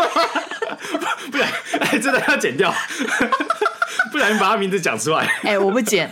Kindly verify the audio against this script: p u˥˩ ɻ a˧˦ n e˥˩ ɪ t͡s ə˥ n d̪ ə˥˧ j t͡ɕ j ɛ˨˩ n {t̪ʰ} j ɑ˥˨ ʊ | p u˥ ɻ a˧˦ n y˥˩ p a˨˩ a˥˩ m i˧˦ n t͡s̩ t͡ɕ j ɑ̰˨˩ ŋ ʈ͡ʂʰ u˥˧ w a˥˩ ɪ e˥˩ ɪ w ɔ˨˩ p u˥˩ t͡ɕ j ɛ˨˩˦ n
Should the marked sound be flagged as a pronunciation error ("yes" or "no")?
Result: yes